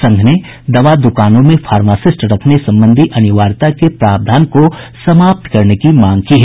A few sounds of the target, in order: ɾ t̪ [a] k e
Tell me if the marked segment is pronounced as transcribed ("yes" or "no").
yes